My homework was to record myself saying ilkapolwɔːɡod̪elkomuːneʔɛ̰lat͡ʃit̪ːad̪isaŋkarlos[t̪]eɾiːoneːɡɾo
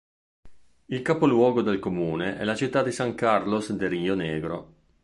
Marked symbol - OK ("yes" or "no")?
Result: no